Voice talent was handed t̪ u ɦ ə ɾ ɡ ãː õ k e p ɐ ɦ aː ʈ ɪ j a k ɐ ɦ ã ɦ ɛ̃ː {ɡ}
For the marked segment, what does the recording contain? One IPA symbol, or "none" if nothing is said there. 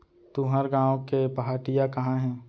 none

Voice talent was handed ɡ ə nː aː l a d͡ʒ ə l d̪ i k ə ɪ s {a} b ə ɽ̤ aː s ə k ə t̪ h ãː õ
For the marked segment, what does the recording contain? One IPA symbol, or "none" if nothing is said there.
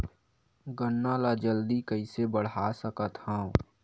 e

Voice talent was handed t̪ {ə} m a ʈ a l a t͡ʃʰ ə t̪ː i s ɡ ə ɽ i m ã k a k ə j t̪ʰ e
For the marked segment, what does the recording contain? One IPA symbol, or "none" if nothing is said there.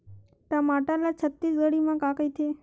a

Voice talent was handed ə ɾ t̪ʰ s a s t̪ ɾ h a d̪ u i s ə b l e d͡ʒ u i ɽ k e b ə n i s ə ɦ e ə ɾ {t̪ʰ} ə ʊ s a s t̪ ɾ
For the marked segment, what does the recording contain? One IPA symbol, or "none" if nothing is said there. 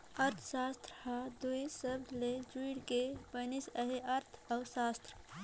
t̪ʰ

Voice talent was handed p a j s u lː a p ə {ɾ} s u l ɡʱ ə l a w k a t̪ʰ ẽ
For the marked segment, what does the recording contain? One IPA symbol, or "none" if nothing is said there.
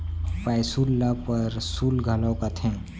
ɾ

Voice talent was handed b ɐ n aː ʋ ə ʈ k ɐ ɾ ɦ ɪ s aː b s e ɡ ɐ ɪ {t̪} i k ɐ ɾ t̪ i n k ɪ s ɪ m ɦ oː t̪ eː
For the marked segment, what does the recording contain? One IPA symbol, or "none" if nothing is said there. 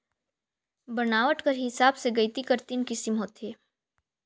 t̪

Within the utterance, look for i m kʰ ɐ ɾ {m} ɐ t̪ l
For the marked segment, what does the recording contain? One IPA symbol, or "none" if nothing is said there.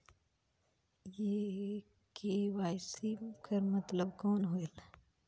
m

